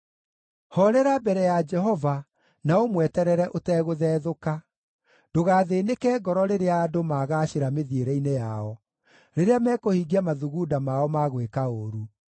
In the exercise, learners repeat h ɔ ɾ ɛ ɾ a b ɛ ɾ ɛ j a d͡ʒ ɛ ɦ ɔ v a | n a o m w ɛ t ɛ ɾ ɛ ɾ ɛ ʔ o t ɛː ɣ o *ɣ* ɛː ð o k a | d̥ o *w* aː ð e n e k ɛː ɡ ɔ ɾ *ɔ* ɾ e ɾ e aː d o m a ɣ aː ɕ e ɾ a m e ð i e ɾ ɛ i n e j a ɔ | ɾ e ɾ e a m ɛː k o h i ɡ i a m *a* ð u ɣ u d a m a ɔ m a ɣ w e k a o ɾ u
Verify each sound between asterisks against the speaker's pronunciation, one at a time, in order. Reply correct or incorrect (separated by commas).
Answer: incorrect, incorrect, correct, correct